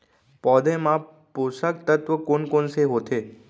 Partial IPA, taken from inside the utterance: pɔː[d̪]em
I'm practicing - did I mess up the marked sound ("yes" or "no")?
no